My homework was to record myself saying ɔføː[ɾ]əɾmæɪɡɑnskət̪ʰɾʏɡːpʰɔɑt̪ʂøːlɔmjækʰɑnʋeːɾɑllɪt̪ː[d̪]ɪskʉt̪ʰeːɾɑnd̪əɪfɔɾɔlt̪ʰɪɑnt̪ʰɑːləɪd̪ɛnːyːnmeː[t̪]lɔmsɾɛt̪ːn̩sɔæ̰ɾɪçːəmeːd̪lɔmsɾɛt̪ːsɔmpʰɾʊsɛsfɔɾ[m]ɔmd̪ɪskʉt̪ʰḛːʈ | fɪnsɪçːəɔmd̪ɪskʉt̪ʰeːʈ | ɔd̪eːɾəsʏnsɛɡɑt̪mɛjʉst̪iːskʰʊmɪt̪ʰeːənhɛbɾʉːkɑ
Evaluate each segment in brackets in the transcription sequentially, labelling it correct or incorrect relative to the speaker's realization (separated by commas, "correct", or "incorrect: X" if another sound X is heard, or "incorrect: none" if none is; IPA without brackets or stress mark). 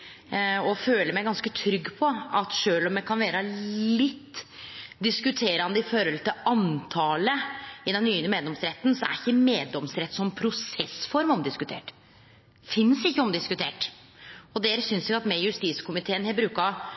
incorrect: l, correct, incorrect: d̪, correct